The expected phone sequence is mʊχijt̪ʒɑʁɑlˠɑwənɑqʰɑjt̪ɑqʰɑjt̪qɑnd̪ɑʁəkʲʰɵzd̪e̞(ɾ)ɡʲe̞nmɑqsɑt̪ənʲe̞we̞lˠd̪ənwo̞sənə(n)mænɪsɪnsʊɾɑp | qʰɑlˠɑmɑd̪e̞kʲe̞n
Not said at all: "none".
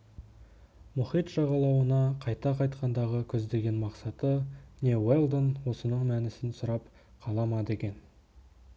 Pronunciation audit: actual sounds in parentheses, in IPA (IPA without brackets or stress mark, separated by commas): none, ɴ